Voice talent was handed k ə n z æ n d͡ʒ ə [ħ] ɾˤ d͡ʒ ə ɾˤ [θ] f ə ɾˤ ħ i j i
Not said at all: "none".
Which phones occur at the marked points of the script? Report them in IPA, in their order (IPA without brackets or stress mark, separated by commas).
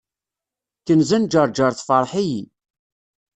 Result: none, θ